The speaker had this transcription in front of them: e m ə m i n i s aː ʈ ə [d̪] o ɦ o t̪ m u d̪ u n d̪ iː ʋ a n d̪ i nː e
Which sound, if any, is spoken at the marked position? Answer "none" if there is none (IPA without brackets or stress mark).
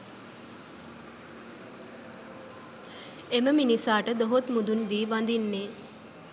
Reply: d̪